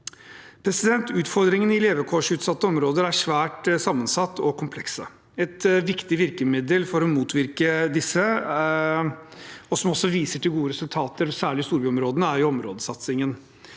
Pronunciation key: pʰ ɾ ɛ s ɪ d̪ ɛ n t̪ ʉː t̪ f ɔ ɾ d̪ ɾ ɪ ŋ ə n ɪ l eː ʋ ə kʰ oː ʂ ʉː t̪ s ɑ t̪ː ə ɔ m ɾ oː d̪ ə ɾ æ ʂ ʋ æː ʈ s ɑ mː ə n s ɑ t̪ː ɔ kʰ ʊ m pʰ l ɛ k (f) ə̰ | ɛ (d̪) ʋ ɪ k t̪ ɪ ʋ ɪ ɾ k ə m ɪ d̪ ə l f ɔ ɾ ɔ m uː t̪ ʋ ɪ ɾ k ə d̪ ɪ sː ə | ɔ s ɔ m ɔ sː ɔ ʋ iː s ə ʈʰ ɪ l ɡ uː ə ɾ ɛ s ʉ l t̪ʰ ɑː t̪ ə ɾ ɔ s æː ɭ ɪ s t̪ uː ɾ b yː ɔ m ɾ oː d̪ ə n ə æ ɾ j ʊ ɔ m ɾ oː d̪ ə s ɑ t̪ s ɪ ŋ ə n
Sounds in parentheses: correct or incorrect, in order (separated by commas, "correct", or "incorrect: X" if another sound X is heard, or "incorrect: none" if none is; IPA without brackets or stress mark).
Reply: incorrect: s, incorrect: t̪